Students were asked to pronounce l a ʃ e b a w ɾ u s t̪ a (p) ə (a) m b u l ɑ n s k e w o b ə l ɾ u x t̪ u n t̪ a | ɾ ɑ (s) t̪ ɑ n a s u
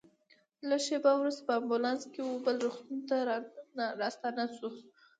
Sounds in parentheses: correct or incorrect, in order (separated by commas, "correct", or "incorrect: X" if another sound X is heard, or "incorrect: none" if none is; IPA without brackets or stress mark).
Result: correct, correct, correct